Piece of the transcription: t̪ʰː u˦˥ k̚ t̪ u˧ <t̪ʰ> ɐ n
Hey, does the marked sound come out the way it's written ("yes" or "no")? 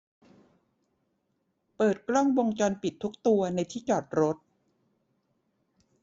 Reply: no